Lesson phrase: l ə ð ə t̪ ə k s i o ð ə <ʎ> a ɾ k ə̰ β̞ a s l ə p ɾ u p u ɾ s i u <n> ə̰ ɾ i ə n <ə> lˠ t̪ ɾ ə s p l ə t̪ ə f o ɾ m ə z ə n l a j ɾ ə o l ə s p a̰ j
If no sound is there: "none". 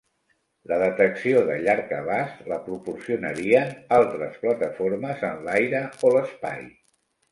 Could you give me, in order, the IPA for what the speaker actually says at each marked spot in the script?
ʎ, n, a

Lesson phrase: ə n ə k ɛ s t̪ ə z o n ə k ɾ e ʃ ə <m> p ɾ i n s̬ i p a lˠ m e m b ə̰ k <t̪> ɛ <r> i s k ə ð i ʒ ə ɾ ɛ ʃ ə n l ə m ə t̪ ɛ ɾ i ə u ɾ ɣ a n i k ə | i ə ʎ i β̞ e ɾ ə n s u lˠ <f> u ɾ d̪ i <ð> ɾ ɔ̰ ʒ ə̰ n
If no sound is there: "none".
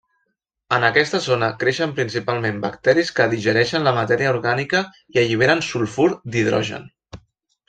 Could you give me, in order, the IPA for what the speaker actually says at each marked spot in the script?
m, t̪, ɾ, f, ð

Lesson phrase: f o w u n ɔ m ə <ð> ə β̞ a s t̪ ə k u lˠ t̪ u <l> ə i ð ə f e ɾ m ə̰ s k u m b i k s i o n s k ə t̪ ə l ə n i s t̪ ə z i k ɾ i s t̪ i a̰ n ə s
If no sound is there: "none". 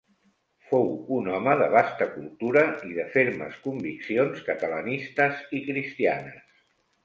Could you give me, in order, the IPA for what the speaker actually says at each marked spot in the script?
ð, ɾ

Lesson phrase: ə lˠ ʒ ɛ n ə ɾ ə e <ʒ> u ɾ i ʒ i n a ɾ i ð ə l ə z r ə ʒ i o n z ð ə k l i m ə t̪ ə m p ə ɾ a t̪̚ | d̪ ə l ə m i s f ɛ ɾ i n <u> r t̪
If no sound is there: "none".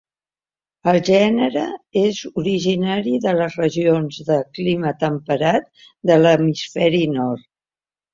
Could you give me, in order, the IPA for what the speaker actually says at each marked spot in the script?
z, ɔ

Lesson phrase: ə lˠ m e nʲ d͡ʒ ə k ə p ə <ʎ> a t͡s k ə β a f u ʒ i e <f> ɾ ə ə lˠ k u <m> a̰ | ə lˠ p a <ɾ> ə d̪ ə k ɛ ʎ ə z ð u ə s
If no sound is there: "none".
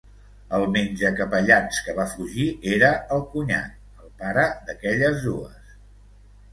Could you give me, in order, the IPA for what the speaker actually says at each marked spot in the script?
ʎ, none, ɲ, ɾ

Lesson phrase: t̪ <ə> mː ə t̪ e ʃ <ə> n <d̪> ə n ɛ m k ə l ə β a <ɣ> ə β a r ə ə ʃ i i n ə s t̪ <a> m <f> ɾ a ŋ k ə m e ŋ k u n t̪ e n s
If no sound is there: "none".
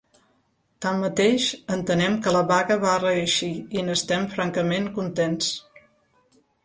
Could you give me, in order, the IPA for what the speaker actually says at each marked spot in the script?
a, ə, t̪, ɣ, ɛ, f

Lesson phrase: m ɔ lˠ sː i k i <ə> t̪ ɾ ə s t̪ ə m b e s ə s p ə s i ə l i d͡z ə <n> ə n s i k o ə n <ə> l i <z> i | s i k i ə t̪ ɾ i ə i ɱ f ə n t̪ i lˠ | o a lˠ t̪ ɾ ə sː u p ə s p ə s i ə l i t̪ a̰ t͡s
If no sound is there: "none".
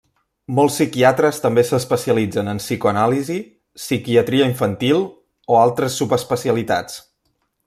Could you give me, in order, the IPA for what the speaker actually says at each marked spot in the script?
a, n, a, z

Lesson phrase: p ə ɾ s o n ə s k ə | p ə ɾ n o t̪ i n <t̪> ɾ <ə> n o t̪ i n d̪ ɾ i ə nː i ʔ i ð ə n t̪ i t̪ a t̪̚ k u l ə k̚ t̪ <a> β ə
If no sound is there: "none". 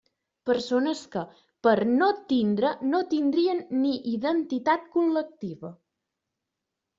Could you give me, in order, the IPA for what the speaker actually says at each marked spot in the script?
d̪, ə, i

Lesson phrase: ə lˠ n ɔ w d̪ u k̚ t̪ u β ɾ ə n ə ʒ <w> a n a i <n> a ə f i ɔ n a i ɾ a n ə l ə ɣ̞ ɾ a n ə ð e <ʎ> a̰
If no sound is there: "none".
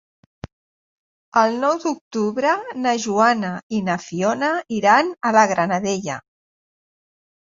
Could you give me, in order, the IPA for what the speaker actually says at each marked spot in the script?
u, n, ʎ

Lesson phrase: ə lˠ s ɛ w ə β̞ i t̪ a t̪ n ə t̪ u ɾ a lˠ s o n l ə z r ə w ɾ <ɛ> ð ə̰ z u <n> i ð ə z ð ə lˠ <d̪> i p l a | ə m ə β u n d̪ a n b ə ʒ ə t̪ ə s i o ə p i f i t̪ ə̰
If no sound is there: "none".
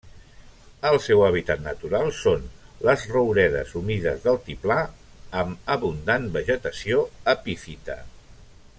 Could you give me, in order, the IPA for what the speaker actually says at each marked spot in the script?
ɛ, m, t̪

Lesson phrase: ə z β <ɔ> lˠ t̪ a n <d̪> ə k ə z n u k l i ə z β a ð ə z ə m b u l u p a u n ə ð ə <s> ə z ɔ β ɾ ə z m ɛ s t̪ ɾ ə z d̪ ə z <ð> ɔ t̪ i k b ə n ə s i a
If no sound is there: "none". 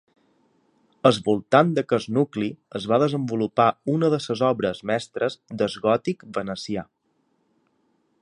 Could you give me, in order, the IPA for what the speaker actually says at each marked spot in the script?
u, d̪, s, ɣ

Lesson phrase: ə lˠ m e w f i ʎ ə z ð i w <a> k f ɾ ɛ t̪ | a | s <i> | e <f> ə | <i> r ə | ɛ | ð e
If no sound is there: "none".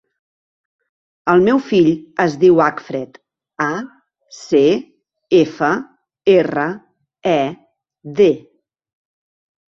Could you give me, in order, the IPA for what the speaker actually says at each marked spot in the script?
a, e, f, e

